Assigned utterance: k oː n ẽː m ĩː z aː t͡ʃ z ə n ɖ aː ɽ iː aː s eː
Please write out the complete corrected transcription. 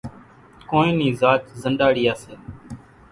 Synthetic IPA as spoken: k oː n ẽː n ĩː z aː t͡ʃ z ə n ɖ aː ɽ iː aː s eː